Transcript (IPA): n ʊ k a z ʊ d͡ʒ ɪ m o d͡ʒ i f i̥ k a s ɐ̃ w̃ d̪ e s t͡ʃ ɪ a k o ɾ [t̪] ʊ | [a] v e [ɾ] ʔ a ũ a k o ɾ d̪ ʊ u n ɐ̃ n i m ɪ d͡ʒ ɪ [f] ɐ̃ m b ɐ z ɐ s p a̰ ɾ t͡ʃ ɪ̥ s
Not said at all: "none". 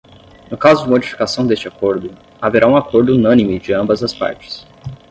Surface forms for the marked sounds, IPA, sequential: d̪, a, ɾ, none

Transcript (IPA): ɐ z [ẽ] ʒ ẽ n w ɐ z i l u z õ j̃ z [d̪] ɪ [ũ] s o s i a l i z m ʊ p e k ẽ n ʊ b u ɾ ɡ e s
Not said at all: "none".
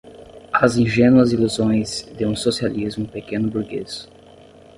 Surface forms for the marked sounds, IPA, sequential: ĩ, d̪, ũ

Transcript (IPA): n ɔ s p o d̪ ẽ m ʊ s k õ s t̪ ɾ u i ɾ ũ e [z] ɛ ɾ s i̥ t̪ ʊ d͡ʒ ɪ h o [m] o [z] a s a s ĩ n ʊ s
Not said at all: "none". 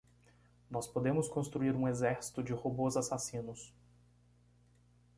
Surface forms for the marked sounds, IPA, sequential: z, b, z

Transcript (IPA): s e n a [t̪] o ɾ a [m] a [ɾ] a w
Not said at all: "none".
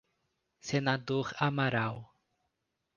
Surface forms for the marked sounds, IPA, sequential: d̪, m, ɾ

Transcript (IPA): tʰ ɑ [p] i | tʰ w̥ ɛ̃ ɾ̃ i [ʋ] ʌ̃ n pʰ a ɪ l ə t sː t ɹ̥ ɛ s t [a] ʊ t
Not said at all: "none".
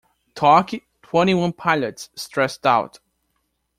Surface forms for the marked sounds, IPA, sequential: k, w, a

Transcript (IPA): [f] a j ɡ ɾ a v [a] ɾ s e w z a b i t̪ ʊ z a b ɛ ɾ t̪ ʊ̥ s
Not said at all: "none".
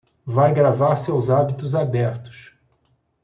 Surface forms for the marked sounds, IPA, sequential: v, a

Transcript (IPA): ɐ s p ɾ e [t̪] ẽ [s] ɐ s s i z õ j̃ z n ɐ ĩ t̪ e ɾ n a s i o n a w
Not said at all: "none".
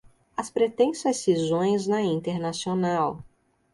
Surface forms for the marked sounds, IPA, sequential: t̪, s

